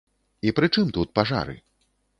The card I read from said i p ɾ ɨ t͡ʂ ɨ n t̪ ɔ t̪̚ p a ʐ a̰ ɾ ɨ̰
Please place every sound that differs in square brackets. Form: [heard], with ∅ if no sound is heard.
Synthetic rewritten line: i p ɾ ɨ t͡ʂ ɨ [m] t̪ [u] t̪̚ p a ʐ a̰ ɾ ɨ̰